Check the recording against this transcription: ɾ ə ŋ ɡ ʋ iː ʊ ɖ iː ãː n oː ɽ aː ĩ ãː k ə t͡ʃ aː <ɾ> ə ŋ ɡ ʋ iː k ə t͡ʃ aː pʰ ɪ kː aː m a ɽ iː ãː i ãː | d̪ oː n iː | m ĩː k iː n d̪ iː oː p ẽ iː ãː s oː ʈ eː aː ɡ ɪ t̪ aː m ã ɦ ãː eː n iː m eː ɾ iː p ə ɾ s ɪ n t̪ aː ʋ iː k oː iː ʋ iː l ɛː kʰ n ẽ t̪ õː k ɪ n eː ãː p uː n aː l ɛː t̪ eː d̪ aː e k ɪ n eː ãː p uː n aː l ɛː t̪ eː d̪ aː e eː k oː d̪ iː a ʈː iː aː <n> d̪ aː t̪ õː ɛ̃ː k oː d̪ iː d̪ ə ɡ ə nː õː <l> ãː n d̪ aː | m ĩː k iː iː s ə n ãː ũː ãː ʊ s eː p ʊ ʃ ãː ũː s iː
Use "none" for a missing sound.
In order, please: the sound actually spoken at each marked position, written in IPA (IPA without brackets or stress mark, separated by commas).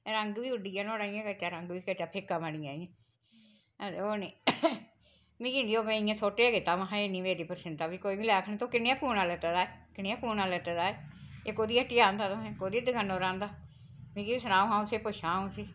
ɾ, n, ɾ